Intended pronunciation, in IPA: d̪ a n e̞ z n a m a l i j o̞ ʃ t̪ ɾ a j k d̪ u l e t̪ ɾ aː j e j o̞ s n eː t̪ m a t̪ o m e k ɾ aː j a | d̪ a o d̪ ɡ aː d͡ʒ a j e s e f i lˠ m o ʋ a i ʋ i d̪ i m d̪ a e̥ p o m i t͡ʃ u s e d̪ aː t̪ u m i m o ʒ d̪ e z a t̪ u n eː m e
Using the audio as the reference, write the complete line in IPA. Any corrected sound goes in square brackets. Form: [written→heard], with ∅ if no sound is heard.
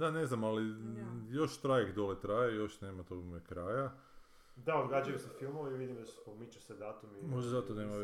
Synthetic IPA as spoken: d̪ a n e̞ z n a m a l i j o̞ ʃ t̪ ɾ a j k d̪ [u→o] l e t̪ ɾ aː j e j o̞ [s→ʃ] n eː [t̪→∅] m a t̪ o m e k ɾ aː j a | d̪ a o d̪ ɡ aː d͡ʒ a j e s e f i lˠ m o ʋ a i ʋ i d̪ i m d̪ a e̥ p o m i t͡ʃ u s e d̪ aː t̪ u m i m o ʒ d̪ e z a t̪ [u→o] n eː m [e→a]